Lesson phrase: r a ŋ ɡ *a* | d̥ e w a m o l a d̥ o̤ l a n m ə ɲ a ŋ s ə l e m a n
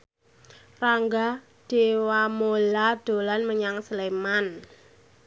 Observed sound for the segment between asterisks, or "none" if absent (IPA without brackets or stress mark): a